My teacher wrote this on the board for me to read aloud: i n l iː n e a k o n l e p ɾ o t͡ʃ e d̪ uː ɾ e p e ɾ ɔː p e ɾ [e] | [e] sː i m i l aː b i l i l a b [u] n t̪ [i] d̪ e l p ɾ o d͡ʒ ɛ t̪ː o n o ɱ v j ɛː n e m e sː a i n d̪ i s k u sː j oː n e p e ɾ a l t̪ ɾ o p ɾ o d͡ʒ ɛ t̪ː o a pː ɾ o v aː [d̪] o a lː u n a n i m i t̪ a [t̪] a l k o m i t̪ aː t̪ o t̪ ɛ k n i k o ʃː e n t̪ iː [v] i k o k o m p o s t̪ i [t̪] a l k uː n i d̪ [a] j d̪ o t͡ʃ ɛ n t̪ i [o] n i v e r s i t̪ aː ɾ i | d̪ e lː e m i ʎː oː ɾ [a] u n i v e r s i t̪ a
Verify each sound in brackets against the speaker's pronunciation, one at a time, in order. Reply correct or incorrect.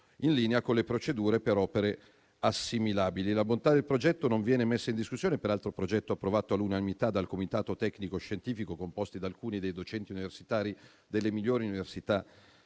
correct, incorrect: a, incorrect: o, incorrect: a, incorrect: t̪, incorrect: d̪, incorrect: f, incorrect: d̪, incorrect: e, incorrect: u, incorrect: i

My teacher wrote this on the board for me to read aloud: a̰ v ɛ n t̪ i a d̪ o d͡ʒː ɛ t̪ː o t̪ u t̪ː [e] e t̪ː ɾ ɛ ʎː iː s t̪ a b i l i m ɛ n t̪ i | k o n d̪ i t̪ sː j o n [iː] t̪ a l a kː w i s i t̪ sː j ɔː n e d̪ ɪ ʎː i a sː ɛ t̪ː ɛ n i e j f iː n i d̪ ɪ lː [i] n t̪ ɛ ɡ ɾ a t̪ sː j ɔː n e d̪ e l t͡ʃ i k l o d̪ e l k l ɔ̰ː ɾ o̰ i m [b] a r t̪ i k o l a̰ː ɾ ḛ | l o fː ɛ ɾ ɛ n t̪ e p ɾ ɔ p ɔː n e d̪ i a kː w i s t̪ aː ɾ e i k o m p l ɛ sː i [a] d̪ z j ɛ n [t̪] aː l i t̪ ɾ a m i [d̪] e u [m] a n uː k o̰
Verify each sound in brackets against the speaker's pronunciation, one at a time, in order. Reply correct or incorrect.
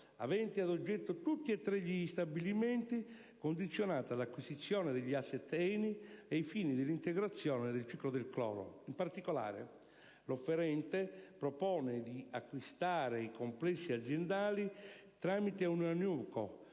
incorrect: i, incorrect: aː, correct, incorrect: p, correct, incorrect: d̪, incorrect: t̪, incorrect: n

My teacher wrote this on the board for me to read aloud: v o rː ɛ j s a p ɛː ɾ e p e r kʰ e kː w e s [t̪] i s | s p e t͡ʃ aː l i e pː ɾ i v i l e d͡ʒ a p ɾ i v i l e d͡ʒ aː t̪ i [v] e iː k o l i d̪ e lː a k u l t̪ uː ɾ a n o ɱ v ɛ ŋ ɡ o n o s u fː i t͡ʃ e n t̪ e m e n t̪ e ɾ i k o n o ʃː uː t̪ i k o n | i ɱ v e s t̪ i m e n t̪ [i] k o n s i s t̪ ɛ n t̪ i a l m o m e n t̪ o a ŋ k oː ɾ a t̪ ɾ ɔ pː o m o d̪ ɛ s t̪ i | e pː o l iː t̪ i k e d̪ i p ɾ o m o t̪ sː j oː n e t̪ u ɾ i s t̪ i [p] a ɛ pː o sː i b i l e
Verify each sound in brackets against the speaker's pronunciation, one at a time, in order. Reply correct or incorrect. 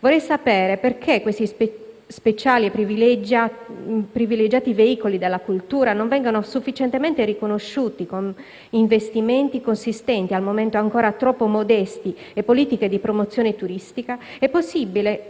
correct, correct, correct, incorrect: k

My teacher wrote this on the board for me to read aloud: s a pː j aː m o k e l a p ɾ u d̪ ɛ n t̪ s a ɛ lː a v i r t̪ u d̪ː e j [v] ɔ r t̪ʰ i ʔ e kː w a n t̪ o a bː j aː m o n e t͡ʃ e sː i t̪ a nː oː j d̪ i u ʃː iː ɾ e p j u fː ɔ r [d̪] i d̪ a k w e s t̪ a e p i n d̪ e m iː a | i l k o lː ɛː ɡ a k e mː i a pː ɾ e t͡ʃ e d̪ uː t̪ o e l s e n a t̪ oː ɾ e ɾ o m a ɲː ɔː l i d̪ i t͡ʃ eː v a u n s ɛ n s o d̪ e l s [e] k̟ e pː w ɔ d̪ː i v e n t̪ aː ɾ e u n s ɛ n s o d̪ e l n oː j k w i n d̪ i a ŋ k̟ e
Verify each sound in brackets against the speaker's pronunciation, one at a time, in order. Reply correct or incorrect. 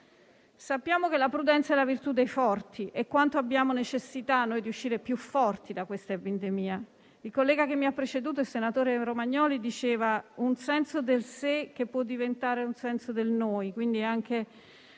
incorrect: f, incorrect: t̪, correct

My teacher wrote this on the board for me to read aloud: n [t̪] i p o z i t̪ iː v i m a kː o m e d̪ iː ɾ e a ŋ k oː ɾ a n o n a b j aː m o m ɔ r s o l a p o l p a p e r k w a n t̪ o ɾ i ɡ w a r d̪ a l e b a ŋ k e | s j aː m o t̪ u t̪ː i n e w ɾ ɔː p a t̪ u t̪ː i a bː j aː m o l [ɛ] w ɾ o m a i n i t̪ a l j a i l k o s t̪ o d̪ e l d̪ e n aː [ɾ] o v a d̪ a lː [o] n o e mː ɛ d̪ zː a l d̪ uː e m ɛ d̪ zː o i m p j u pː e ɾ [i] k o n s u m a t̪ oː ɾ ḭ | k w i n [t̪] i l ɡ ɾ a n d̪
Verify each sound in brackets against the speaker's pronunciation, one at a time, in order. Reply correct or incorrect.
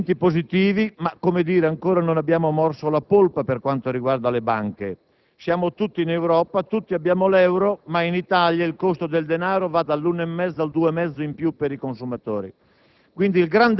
correct, correct, correct, incorrect: u, correct, incorrect: d̪

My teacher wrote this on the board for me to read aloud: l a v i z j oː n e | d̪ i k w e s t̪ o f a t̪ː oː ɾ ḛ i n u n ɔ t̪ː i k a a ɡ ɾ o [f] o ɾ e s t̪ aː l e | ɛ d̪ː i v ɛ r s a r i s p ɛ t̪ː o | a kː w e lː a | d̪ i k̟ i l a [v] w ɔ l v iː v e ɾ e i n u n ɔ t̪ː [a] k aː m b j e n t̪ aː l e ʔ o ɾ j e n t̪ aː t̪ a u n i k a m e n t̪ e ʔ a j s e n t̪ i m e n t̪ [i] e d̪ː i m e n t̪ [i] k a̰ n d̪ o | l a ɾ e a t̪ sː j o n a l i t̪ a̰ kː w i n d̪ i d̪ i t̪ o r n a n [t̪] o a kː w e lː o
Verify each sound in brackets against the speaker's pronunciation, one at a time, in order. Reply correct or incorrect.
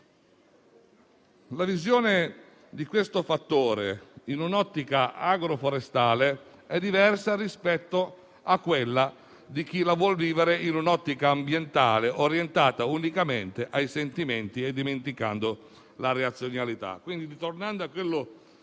correct, correct, incorrect: i, correct, correct, incorrect: d̪

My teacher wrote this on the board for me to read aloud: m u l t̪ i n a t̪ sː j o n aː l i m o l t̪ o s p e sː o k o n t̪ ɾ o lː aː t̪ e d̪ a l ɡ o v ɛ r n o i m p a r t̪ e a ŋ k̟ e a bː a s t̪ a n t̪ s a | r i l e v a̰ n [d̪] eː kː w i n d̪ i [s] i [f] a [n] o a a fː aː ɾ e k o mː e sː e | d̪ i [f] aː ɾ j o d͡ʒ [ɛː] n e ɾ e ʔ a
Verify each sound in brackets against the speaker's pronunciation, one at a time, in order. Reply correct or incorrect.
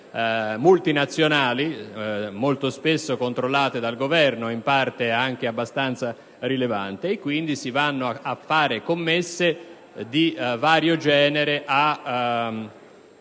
incorrect: t̪, correct, incorrect: v, incorrect: nː, incorrect: v, correct

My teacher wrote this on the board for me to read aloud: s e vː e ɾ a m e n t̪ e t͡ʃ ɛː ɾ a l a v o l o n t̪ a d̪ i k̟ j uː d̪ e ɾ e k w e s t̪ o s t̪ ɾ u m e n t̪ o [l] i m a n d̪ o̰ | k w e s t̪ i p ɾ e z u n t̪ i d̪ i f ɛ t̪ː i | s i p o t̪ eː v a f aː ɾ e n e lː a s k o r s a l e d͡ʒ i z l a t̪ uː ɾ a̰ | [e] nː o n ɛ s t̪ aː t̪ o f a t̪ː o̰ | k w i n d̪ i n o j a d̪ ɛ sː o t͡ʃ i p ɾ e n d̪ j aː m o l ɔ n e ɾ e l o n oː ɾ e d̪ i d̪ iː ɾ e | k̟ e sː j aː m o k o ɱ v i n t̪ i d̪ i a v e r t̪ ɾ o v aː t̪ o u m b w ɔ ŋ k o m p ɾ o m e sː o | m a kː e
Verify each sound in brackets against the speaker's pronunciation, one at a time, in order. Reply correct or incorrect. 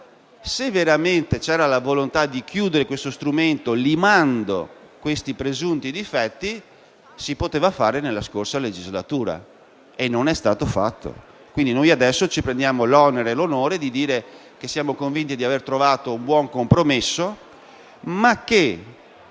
correct, correct

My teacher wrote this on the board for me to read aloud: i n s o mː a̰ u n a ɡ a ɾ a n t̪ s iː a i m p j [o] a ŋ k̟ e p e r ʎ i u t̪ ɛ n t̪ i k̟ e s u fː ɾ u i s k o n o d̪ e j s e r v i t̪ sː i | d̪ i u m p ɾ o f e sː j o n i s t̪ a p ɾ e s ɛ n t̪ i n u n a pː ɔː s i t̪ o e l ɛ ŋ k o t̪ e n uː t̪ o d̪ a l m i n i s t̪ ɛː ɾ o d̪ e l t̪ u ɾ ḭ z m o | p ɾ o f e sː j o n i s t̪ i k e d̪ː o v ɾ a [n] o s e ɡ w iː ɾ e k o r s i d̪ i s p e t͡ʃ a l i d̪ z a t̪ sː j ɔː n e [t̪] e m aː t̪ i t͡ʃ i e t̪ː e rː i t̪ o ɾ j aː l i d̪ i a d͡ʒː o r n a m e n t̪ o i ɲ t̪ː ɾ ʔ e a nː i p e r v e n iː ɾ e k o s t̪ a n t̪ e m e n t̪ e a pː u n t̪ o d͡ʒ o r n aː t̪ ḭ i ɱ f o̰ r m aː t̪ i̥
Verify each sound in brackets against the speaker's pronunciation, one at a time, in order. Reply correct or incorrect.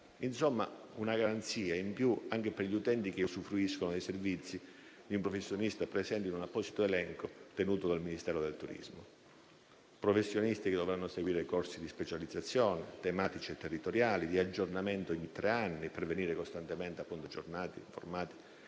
incorrect: u, incorrect: nː, correct

